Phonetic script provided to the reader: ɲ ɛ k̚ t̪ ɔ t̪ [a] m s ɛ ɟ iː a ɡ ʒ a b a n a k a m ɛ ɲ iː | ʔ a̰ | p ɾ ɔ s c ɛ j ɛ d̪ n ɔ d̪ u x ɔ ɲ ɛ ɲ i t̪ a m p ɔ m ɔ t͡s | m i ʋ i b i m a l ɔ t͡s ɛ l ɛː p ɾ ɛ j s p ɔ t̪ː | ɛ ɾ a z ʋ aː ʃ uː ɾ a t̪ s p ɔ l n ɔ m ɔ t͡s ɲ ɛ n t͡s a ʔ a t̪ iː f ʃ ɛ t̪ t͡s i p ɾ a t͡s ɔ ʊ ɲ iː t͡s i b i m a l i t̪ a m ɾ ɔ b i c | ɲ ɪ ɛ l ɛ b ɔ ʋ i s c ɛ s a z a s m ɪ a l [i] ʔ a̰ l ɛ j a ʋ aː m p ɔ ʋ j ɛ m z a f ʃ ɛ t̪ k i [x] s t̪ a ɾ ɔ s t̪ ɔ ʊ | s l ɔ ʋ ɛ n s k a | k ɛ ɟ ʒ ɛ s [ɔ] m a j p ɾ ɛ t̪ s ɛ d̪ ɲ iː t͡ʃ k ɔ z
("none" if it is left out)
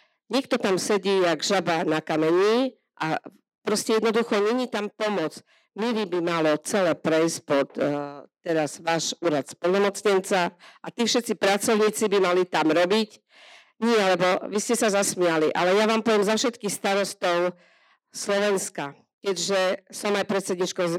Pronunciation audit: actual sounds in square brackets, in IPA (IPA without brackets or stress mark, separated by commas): a, i, x, ɔ